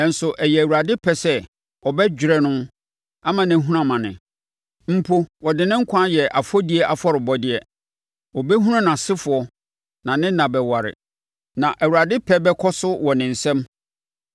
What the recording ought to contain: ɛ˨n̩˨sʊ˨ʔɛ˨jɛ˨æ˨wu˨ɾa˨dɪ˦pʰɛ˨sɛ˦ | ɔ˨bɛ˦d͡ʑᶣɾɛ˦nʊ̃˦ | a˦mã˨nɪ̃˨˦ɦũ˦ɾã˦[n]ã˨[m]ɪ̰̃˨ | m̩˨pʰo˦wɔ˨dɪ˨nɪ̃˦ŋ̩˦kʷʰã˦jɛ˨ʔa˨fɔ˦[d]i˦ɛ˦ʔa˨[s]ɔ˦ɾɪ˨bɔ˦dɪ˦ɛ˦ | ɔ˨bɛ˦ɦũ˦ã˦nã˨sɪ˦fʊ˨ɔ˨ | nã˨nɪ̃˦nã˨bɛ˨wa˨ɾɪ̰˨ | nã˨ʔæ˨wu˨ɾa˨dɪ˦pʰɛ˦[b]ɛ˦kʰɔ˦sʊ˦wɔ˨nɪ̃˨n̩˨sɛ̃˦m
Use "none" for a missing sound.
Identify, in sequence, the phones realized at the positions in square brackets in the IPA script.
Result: m, n, d, f, b

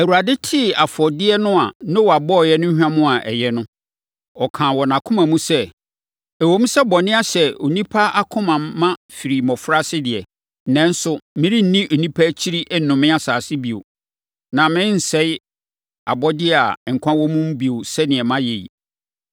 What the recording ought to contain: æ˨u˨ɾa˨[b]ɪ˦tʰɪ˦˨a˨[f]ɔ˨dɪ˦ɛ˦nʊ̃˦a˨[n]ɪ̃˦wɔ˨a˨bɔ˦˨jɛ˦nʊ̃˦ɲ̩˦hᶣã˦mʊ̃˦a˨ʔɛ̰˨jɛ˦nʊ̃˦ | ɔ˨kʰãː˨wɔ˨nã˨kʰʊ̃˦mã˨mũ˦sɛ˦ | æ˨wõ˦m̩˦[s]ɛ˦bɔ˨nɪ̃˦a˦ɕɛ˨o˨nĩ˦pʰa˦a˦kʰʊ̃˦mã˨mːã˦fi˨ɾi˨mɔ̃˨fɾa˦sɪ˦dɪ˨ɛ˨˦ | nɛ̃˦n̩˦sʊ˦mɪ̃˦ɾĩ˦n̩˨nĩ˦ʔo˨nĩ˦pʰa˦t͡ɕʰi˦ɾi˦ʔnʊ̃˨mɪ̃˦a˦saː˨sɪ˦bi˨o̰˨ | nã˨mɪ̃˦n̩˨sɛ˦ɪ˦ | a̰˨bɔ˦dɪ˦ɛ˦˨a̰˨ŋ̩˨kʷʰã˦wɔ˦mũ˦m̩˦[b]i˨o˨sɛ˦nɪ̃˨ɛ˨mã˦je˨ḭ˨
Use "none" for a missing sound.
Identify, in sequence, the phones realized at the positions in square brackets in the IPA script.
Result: d, f, n, s, b

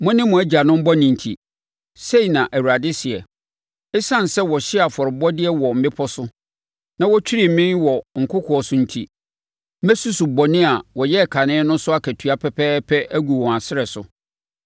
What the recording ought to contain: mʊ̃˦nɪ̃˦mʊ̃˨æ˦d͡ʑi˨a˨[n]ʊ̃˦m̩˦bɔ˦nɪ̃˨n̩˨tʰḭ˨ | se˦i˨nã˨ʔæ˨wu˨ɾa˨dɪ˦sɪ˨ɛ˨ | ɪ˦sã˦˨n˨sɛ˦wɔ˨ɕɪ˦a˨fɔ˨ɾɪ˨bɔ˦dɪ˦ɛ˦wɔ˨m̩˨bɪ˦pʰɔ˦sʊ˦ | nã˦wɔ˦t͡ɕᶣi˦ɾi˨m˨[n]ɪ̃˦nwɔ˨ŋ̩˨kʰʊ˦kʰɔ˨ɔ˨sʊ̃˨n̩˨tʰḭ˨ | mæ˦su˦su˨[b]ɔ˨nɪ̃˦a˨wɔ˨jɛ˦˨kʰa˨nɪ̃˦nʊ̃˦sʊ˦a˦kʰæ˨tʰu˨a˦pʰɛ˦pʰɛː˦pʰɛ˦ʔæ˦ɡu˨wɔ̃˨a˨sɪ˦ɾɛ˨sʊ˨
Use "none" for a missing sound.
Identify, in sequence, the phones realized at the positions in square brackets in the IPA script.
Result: n, m, b

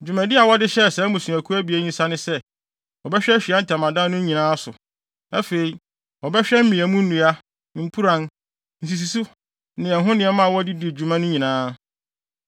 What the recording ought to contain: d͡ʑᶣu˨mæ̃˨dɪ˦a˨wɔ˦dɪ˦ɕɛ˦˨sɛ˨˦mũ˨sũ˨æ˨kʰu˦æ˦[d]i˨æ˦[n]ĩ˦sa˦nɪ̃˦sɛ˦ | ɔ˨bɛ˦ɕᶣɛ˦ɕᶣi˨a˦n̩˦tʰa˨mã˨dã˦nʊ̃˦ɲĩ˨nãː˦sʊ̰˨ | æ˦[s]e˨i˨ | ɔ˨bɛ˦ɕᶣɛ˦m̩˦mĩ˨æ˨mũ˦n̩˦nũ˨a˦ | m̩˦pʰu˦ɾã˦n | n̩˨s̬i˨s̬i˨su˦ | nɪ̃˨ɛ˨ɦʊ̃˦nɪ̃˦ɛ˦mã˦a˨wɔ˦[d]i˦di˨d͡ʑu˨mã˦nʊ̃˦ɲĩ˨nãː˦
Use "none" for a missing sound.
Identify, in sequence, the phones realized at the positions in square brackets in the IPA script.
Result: b, ɲ, f, d

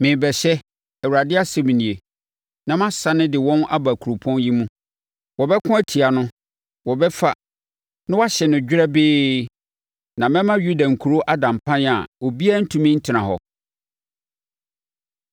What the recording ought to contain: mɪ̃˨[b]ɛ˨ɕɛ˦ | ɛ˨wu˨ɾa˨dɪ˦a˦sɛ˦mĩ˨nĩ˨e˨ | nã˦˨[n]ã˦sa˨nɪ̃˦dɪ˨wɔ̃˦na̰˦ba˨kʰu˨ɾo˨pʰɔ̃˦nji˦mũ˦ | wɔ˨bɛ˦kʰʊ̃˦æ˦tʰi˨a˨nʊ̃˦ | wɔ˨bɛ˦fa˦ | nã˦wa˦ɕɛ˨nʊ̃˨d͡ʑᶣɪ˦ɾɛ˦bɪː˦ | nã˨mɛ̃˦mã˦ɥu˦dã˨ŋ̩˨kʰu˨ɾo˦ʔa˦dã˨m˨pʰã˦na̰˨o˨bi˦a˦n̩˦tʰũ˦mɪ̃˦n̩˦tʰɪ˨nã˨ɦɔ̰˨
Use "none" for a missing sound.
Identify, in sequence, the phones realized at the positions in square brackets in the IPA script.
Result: b, m

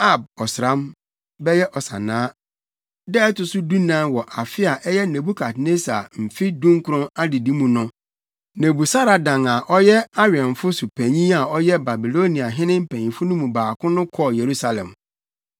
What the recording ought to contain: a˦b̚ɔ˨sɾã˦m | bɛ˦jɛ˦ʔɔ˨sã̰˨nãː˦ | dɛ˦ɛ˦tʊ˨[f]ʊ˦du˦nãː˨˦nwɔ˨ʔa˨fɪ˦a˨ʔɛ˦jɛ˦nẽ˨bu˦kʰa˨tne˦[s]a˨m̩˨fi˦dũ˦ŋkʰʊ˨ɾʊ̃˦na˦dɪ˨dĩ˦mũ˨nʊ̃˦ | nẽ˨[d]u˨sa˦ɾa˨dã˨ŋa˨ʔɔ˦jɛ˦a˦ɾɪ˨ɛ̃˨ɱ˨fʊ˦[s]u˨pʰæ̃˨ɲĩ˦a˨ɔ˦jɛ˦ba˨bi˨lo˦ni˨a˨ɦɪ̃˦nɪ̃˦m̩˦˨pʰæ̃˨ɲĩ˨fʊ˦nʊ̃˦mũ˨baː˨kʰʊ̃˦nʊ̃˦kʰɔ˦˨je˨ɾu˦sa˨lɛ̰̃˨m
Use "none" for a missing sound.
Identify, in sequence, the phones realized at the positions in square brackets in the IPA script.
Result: s, s, b, s

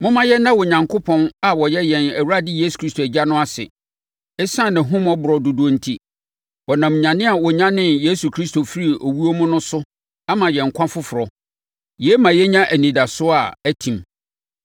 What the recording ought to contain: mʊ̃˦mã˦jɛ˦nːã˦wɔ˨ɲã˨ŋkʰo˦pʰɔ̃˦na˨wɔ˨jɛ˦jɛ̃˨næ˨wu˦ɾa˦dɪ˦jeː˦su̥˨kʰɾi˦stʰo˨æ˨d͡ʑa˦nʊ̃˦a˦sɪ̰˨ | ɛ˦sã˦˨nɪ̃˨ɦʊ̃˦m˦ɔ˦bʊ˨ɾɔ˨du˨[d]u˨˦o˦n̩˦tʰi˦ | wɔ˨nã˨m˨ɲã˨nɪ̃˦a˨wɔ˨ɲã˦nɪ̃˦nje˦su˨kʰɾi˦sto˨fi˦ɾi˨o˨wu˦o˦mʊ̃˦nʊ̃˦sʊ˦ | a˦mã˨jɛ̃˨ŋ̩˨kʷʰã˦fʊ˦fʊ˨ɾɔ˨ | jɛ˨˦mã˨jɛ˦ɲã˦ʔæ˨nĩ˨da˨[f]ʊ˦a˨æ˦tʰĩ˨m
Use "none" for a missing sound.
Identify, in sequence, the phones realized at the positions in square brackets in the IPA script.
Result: d, s

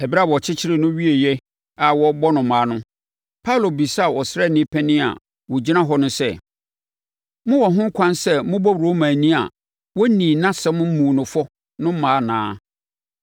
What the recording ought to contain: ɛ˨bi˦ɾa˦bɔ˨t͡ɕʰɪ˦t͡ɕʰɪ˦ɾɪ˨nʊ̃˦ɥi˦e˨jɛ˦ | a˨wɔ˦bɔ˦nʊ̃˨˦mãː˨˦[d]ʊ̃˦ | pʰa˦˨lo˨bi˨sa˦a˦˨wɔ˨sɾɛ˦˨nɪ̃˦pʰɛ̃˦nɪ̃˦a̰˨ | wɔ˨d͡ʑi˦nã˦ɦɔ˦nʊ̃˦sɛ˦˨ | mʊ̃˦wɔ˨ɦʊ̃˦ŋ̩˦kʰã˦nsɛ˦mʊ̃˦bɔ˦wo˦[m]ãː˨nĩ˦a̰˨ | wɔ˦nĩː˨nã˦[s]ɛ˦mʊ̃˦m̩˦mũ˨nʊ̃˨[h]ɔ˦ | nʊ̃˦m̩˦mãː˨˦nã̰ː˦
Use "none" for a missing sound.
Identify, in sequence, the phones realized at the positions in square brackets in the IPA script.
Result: n, m, s, f

